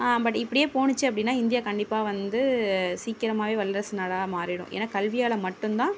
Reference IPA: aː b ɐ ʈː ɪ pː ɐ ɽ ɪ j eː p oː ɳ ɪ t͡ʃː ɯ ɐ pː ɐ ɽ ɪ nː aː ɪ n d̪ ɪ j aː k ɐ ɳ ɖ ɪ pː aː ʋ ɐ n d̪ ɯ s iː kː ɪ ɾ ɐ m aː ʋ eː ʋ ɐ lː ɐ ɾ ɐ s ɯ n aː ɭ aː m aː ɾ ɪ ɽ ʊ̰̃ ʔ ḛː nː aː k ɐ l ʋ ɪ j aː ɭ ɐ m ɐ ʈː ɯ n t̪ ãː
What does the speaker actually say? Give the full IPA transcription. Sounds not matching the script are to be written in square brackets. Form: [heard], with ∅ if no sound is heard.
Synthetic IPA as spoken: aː b ɐ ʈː ɪ pː ɐ ɽ ɪ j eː p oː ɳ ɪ t͡ʃː ɯ ɐ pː ɐ ɽ ɪ nː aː ɪ n d̪ ɪ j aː k ɐ ɳ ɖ ɪ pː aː ʋ ɐ n d̪ ɯ s iː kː ɪ ɾ ɐ m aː ʋ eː ʋ ɐ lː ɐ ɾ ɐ s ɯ n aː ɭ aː m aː ɾ ɪ ɽ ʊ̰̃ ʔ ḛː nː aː k ɐ l ʋ ɪ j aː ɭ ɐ m ɐ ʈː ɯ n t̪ ãː

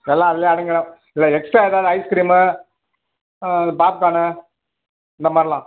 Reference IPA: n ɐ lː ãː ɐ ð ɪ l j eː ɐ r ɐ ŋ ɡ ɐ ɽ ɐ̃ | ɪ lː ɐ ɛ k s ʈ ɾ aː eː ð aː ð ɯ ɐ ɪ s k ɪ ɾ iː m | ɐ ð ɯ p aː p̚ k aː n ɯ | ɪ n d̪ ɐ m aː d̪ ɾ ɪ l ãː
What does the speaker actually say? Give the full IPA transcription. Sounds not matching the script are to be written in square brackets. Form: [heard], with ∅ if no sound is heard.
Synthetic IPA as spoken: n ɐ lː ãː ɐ ð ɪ l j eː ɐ [ɽ] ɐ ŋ ɡ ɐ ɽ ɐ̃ | ɪ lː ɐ ɛ k s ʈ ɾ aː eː ð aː ð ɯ ɐ ɪ s k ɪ ɾ iː m | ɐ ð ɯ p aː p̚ k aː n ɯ | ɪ n d̪ ɐ m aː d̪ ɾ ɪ l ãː

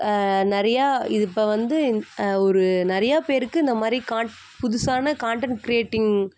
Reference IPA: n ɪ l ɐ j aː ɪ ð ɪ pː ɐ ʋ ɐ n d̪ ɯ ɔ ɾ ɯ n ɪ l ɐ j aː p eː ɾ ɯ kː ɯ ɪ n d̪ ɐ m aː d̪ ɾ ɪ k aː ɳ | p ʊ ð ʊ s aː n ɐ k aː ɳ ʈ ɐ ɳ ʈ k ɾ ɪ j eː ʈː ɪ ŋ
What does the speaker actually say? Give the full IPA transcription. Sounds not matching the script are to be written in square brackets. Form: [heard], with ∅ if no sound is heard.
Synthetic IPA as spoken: n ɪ [ɾ] ɐ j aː ɪ ð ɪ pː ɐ ʋ ɐ n d̪ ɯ ɔ ɾ ɯ n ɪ [ɾ] ɐ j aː p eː ɾ ɯ kː ɯ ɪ n d̪ ɐ m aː d̪ ɾ [i] k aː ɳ | p ʊ ð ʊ s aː n ɐ k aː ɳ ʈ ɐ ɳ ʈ k ɾ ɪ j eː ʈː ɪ ŋ

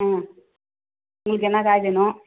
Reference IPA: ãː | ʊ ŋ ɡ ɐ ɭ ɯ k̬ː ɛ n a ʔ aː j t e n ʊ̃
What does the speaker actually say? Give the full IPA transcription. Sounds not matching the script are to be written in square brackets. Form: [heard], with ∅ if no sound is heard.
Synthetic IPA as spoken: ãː | ʊ ŋ ɡ ɐ ɭ ɯ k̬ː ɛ [nː] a [k] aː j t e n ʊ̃

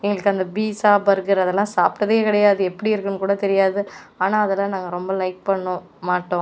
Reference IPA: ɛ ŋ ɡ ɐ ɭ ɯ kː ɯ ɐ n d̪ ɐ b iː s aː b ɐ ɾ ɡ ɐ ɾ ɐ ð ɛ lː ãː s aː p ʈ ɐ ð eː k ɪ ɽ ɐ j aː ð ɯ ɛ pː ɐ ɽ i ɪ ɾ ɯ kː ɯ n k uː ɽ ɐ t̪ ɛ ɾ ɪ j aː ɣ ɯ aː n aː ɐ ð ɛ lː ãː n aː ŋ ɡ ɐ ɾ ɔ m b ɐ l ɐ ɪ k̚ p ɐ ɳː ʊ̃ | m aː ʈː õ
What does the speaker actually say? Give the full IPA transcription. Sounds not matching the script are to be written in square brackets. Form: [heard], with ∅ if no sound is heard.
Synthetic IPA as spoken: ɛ ŋ ɡ ɐ ɭ ɯ kː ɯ ɐ n d̪ ɐ b iː s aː b ɐ ɾ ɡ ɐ ɾ ɐ ð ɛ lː ãː s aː p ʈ ɐ ð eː k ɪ ɽ ɐ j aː ð ɯ ɛ pː ɐ ɽ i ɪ ɾ ɯ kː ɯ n k uː ɽ ɐ t̪ ɛ ɾ ɪ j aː [ð] ɯ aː n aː ɐ ð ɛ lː ãː n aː ŋ ɡ ɐ ɾ ɔ m b ɐ l ɐ ɪ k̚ p ɐ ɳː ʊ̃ | m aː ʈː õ

